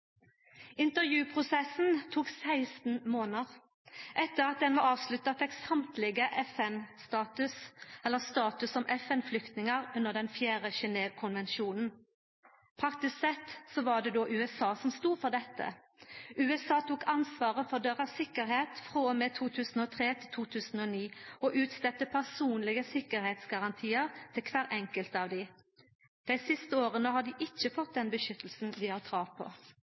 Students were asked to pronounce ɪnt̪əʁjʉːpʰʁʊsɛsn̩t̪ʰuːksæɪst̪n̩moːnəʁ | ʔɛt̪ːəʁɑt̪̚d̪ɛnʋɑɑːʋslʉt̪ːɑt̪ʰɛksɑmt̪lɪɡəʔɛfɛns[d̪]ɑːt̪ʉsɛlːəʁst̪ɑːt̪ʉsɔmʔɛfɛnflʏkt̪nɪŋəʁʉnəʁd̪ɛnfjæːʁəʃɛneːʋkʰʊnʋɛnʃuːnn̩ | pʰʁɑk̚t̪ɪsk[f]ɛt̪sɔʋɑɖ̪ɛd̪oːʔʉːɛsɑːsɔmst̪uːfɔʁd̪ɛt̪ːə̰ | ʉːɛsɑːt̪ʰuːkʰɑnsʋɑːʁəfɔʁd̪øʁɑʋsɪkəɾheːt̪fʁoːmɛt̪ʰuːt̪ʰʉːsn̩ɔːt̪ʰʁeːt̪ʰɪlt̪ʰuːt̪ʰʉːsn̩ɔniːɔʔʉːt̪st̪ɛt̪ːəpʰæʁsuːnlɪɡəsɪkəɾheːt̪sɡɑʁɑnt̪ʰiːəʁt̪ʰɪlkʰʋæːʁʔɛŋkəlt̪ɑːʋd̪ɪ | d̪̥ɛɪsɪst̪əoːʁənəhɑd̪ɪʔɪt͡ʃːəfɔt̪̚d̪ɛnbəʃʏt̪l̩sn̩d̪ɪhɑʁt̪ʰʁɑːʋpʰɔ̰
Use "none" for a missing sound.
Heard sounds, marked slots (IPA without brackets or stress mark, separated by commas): t̪, s